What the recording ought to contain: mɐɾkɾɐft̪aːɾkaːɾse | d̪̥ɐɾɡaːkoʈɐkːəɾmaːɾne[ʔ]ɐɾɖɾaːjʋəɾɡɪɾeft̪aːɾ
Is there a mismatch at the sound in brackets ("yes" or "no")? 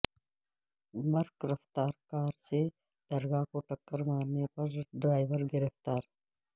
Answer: yes